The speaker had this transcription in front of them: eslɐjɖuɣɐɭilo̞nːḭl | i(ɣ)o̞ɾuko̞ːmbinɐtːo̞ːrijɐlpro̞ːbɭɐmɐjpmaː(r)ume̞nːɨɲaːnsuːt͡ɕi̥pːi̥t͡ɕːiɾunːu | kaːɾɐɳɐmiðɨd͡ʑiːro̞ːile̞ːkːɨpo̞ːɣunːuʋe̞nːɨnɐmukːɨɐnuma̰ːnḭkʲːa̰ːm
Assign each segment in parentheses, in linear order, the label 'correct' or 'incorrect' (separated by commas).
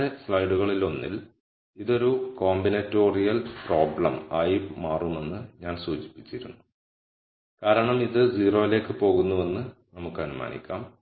incorrect, correct